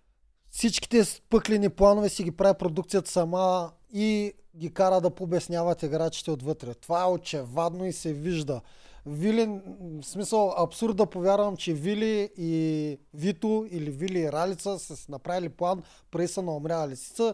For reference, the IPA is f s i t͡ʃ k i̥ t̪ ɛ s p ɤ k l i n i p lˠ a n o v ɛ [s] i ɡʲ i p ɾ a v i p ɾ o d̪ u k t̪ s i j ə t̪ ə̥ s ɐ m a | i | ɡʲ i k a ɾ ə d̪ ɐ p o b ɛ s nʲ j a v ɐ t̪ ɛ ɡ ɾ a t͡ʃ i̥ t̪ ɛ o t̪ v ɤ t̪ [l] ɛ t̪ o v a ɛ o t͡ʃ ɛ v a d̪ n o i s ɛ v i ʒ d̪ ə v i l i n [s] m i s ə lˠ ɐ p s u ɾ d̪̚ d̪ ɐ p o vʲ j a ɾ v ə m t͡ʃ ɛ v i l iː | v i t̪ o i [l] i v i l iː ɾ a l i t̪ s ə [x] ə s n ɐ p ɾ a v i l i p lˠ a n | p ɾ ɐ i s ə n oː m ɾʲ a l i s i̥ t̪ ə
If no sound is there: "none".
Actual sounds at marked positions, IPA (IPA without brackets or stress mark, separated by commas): s, ɾ, s, l, s